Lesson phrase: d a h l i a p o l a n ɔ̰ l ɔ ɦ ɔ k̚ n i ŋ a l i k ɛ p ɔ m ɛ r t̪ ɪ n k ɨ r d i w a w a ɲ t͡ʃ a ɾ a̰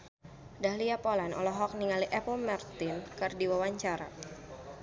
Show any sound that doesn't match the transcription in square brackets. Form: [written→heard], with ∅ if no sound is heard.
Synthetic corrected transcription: d a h l i a p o l a n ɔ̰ l ɔ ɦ ɔ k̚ n i ŋ a l i [k→ʔ] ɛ p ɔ m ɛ r t̪ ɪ n k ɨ r d i w a w a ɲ t͡ʃ a ɾ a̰